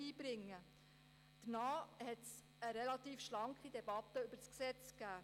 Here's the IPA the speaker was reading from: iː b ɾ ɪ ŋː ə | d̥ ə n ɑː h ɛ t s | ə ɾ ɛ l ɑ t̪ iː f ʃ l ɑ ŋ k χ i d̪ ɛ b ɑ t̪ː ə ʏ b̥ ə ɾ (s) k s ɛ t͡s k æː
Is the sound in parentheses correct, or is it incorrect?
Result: correct